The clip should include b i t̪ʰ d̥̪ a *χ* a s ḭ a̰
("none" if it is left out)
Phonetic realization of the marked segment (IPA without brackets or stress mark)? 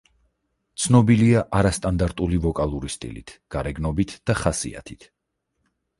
χ